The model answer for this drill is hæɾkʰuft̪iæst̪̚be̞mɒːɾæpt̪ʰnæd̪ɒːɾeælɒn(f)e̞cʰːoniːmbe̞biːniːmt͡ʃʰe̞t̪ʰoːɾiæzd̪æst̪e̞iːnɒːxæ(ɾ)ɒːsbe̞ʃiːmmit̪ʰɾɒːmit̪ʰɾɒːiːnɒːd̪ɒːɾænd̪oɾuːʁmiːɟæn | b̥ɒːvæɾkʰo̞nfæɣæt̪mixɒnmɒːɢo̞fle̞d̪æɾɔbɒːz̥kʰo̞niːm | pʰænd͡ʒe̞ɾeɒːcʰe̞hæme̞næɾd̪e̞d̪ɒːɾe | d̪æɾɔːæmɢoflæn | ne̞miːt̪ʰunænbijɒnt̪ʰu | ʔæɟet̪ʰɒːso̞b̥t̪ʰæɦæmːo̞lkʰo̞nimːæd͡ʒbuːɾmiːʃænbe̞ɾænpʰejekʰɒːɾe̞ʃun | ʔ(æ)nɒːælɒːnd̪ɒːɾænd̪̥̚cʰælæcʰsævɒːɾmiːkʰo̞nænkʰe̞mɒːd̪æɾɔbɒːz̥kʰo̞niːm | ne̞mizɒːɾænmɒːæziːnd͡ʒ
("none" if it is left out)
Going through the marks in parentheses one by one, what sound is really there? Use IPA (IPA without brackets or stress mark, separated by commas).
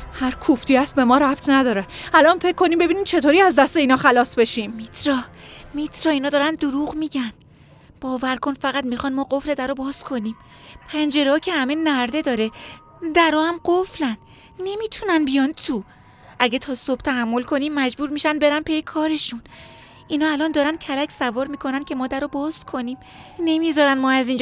f, l, i